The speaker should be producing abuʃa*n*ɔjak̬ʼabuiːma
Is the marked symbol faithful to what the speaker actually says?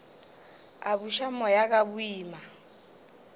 no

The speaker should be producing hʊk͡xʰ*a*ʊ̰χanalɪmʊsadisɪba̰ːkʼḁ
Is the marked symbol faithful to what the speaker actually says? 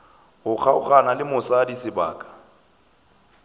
yes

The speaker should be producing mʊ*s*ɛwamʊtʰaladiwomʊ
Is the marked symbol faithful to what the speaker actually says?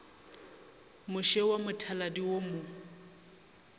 no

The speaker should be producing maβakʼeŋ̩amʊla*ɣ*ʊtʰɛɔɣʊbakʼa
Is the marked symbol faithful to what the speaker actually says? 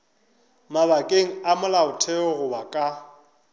no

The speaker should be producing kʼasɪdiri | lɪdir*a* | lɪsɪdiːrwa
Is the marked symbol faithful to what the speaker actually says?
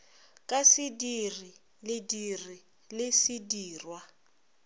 no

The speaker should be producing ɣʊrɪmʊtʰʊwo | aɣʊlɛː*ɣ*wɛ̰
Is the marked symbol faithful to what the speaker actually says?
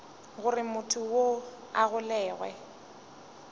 yes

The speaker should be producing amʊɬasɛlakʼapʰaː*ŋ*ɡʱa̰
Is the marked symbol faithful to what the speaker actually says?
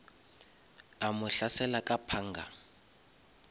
yes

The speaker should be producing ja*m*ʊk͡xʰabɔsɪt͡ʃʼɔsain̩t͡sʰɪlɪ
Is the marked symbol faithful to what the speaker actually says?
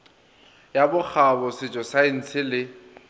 no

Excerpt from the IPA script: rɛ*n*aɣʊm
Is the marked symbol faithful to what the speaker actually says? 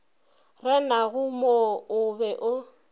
yes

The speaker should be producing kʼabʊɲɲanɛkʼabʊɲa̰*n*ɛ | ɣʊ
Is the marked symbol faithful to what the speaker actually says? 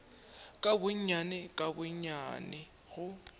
yes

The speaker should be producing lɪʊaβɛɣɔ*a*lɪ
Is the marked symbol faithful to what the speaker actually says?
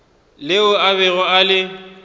yes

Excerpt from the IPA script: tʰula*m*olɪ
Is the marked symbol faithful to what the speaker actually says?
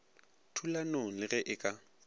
no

